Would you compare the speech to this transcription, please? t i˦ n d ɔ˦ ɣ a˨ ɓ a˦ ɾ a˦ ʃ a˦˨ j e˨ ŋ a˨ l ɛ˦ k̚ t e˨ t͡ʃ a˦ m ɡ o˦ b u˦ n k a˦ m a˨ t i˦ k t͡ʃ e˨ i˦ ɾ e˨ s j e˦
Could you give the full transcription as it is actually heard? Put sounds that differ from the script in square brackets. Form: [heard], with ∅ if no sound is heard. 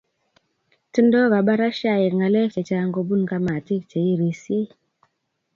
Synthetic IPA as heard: t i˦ n d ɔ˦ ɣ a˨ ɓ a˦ ɾ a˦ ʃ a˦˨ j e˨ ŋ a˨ l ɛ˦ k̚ [t͡ʃ] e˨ t͡ʃ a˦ [ŋ] ɡ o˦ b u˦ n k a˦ m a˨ t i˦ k t͡ʃ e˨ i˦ ɾ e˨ s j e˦